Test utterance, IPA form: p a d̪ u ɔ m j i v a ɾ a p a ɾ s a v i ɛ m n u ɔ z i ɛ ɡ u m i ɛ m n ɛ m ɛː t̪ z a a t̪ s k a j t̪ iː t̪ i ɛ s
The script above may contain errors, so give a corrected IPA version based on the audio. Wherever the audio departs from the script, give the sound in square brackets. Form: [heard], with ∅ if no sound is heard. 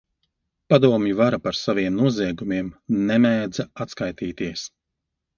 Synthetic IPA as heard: p a d̪ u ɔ m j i v a ɾ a p a ɾ s a v i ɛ m n u ɔ z i ɛ ɡ u m i ɛ m n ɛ m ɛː [d̪] z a a t̪ s k a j t̪ iː t̪ i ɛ s